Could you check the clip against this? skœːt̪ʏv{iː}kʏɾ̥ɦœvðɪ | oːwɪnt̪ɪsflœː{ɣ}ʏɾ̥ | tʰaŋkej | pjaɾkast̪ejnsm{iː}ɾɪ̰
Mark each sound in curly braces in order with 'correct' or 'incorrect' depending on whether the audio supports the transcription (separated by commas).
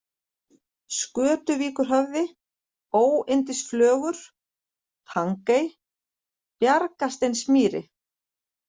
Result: correct, correct, correct